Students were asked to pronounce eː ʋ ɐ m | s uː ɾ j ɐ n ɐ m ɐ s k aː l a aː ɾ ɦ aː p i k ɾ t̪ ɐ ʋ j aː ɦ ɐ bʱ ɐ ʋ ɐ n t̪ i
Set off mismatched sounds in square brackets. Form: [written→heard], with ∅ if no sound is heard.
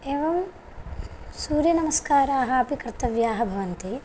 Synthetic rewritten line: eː ʋ ɐ m | s uː ɾ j ɐ n ɐ m ɐ s k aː [l→ɾ] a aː [ɾ→∅] ɦ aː p i k ɾ t̪ ɐ ʋ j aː ɦ ɐ bʱ ɐ ʋ ɐ n t̪ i

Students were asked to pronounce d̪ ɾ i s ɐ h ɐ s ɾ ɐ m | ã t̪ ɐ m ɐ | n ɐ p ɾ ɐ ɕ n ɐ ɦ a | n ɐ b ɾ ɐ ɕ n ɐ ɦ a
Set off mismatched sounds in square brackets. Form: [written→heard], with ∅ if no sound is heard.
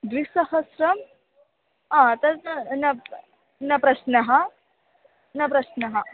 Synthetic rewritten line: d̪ ɾ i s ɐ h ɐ s ɾ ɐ m | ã t̪ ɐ [m→n] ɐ | n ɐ p ɾ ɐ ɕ n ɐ ɦ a | n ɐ [b→p] ɾ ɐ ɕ n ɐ ɦ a

